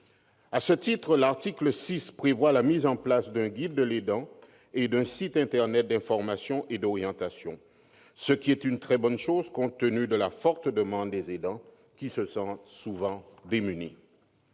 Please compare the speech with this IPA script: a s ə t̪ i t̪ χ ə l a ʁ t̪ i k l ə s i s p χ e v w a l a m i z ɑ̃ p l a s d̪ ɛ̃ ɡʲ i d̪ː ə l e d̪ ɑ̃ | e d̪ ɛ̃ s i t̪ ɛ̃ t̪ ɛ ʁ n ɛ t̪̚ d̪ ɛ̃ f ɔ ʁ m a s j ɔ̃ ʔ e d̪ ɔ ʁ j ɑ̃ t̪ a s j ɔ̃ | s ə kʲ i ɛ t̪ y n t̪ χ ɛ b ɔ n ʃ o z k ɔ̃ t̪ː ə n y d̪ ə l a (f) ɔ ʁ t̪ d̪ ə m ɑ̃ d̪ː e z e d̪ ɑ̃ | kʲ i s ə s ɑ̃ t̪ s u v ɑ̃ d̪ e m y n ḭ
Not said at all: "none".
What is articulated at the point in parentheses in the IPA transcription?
f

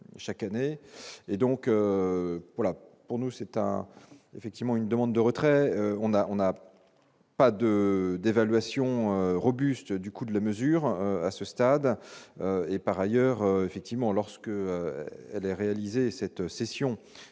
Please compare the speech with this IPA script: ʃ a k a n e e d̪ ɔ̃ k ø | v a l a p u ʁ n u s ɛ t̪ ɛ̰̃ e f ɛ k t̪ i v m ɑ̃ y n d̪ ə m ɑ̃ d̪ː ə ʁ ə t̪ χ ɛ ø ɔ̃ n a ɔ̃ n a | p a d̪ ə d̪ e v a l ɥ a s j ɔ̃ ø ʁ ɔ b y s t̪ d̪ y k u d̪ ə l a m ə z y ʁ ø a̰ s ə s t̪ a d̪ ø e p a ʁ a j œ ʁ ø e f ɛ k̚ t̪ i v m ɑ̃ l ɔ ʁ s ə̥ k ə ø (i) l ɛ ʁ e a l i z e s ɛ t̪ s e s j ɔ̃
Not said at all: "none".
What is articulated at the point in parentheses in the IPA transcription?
ɛ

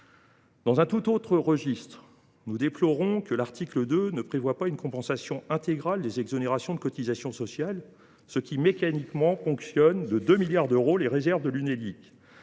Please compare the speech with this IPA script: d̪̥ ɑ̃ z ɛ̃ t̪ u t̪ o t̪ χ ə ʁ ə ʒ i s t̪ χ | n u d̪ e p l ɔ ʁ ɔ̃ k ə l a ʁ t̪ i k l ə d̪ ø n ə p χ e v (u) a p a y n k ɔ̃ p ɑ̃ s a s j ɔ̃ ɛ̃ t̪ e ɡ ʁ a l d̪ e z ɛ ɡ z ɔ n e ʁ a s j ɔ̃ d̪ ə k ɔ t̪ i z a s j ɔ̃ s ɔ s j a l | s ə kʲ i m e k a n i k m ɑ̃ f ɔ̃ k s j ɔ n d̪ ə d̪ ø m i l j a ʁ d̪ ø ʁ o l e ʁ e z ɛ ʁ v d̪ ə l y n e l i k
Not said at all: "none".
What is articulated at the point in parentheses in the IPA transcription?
w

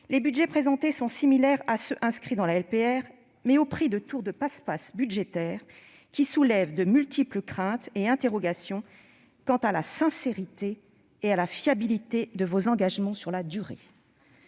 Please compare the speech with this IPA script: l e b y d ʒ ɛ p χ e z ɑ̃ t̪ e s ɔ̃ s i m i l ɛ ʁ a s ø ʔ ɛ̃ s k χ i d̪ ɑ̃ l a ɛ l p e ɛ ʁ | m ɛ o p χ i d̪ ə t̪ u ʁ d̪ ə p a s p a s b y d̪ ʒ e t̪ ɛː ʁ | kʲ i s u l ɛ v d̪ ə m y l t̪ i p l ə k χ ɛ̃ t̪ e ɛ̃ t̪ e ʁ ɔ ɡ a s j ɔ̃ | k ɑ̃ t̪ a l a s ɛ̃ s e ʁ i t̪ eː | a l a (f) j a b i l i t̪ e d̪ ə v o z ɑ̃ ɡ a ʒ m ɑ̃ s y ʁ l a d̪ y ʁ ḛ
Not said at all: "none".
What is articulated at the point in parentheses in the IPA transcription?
f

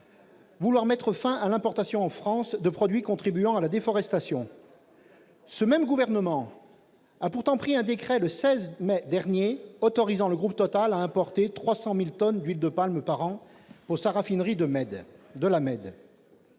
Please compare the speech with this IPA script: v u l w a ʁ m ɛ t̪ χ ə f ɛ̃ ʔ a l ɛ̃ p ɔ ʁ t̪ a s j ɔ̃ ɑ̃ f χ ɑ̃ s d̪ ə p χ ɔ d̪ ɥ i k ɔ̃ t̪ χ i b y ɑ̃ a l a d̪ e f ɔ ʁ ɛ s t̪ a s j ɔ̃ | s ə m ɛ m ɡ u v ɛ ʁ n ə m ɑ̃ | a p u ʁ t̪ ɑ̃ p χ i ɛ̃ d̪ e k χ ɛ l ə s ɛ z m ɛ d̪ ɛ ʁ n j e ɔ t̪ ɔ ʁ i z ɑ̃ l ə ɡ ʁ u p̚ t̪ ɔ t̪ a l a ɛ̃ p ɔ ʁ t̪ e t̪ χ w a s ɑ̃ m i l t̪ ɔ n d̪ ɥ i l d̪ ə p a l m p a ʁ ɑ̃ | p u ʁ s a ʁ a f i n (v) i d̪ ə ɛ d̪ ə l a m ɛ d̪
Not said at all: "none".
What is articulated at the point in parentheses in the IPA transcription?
ʁ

